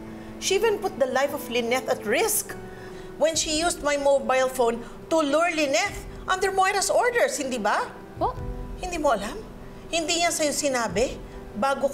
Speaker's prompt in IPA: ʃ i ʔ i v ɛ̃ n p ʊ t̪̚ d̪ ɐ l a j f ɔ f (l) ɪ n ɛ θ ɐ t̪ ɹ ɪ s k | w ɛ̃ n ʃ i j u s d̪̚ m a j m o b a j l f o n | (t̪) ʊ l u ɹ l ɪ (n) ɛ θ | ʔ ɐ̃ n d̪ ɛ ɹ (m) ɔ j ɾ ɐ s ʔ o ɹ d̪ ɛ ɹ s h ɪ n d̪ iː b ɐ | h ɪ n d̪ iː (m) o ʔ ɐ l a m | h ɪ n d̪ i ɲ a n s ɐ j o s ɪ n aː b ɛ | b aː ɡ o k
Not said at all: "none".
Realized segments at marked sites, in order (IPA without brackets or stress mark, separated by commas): l, t̪, n, m, m